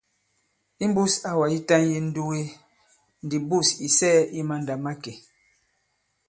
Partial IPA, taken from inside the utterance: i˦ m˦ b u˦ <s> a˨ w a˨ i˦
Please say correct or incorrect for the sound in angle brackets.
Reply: correct